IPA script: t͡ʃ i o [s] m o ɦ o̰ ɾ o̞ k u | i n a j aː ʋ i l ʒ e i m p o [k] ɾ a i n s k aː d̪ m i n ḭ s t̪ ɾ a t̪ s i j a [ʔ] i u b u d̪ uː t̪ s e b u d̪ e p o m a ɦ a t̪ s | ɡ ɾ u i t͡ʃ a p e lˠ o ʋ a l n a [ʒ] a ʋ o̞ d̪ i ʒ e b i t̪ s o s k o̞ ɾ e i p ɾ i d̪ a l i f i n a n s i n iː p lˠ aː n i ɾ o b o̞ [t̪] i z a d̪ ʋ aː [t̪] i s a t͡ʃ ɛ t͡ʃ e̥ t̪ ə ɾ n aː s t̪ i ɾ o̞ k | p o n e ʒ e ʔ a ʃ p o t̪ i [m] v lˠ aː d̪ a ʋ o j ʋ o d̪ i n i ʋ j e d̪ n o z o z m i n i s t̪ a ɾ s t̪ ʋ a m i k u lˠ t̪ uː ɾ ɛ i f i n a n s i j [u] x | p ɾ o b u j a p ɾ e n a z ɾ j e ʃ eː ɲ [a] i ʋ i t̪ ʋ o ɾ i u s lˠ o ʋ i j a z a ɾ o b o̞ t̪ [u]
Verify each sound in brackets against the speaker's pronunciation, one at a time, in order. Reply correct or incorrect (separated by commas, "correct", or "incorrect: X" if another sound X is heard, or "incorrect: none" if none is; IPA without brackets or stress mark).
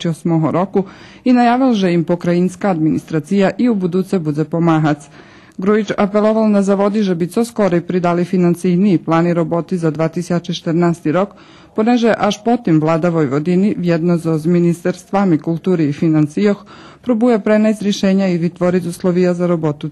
correct, correct, correct, incorrect: z, correct, correct, correct, incorrect: o, correct, correct